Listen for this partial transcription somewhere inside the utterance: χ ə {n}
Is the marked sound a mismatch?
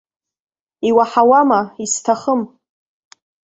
yes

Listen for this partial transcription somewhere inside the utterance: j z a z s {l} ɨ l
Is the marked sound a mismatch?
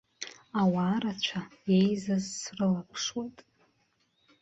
yes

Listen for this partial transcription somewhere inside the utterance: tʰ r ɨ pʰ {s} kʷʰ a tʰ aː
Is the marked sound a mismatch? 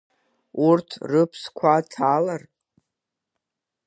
no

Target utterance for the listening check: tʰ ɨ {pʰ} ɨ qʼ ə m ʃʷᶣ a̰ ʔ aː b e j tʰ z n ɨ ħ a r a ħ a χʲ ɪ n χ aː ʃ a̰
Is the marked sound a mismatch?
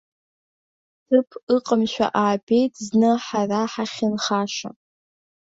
no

